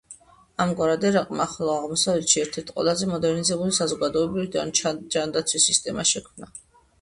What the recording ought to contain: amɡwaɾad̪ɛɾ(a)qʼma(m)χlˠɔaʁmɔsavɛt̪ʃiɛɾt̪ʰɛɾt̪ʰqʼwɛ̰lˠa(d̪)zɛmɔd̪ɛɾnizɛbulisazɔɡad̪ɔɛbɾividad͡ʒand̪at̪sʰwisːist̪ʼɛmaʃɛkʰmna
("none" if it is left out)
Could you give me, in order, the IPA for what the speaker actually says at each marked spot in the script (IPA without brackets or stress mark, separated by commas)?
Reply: a, none, none